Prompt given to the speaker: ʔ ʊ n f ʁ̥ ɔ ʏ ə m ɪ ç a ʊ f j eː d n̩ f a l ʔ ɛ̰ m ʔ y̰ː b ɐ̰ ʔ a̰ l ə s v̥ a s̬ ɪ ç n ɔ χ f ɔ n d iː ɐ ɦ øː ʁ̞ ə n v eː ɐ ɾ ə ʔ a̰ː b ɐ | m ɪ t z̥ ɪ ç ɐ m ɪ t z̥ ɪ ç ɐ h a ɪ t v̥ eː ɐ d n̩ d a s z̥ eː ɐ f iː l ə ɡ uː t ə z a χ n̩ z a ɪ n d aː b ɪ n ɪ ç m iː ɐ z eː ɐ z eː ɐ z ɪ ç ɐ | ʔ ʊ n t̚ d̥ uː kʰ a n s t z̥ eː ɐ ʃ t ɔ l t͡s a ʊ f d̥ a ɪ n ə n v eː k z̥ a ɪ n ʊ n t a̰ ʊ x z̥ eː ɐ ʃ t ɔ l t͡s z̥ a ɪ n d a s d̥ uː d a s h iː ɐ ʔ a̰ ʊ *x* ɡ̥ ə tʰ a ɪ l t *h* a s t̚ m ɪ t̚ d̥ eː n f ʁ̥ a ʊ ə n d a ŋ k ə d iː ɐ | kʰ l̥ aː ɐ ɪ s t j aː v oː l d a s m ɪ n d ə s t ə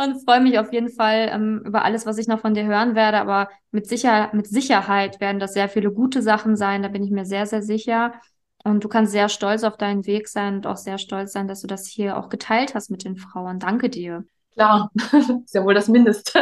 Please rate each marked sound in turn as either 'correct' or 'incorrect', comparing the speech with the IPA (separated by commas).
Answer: correct, correct